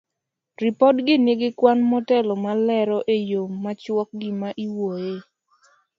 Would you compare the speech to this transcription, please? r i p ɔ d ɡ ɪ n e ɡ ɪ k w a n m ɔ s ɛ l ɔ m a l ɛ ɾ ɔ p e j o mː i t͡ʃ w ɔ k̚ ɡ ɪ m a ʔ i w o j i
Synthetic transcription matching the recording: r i p ɔ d ɡ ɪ n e ɡ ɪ k w a n m ɔ t ɛ l ɔ m a l ɛ ɾ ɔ ʔ e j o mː a t͡ʃ w ɔ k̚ ɡ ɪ m a ʔ i w o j e